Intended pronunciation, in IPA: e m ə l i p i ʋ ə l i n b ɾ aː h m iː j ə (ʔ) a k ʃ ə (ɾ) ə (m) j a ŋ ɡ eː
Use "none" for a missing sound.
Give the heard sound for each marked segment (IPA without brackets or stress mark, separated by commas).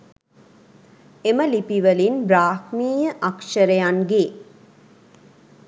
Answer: ʔ, ɾ, none